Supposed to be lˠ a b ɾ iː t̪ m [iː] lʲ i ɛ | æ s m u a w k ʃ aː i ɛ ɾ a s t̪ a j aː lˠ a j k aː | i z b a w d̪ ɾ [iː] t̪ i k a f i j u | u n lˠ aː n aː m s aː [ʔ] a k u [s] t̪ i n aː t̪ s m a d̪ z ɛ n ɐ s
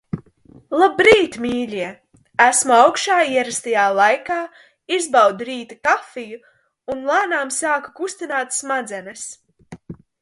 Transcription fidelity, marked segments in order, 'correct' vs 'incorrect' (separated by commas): correct, correct, incorrect, correct